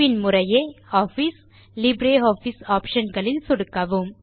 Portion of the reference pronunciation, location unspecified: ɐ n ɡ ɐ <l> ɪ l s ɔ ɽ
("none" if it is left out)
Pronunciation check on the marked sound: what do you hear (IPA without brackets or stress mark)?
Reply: ɭ